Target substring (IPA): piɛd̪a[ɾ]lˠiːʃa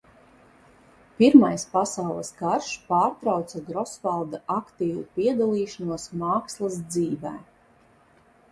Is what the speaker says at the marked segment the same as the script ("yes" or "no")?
no